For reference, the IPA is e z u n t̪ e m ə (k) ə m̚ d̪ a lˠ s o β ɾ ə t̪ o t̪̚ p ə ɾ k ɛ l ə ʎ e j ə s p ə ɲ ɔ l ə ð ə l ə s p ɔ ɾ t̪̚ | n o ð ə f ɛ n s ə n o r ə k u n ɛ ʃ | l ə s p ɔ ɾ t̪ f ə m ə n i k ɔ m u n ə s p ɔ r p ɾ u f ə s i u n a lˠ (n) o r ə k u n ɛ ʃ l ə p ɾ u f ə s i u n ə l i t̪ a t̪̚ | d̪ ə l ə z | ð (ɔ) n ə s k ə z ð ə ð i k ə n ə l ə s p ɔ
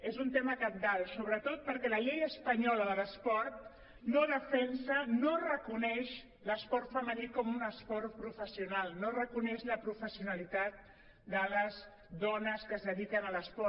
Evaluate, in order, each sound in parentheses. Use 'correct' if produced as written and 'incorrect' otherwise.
correct, correct, correct

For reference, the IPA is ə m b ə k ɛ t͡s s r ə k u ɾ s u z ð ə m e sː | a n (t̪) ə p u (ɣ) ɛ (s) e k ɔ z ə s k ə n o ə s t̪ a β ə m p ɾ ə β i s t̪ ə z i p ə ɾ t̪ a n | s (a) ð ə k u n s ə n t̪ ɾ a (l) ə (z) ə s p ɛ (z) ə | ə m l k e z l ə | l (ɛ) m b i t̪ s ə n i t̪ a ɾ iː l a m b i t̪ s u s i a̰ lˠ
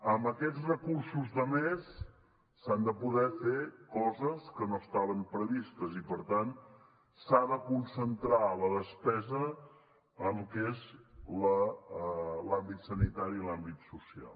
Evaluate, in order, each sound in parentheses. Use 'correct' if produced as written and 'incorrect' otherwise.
incorrect, incorrect, incorrect, correct, correct, incorrect, correct, incorrect

